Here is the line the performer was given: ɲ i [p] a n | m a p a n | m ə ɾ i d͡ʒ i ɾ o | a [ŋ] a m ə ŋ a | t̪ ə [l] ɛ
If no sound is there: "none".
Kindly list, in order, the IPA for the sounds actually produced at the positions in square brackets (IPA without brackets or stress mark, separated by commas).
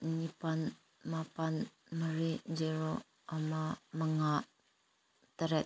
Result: p, m, ɾ